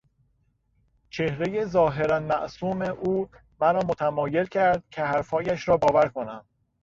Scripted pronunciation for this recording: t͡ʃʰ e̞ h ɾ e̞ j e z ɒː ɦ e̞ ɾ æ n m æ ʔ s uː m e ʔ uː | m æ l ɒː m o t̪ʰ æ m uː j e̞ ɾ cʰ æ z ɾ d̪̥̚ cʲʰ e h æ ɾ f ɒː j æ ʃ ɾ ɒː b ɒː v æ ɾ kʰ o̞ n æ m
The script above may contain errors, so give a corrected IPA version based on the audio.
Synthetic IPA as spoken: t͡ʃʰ e̞ h ɾ e̞ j e z ɒː ɦ e̞ ɾ æ n m æ ʔ s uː m e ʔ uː | m æ ɾ ɒː m o t̪ʰ æ m ɒː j e̞ l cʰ æ ɾ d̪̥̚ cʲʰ e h æ ɾ f ɒː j æ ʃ ɾ ɒː b ɒː v æ ɾ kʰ o̞ n æ m